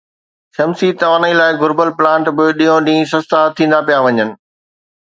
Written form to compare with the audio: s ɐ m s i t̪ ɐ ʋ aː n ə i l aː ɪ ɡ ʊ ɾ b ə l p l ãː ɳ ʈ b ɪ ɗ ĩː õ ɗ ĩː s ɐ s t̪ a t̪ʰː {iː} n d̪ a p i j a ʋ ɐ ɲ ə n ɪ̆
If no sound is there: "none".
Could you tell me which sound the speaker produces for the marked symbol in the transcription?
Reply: ĩː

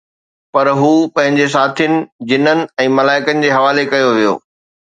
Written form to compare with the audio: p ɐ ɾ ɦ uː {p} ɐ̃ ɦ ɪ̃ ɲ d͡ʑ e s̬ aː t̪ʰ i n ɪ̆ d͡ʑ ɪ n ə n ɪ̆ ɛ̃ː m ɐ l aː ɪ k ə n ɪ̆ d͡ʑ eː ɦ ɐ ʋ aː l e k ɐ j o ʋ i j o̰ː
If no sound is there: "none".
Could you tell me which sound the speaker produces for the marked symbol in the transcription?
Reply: p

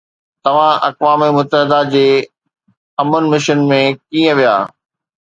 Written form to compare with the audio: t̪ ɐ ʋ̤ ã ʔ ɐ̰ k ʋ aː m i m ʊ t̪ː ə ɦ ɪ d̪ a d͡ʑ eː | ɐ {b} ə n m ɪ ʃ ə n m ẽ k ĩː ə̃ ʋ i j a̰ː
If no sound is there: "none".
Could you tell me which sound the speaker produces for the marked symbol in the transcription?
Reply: m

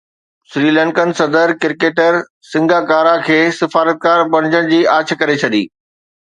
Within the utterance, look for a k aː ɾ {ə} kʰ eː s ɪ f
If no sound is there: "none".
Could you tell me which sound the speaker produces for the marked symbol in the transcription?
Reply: a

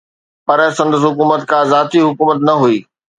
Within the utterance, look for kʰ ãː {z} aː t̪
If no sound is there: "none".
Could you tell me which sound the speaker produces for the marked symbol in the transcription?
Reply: z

